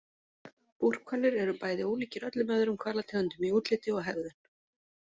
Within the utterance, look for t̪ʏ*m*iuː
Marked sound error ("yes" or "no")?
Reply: no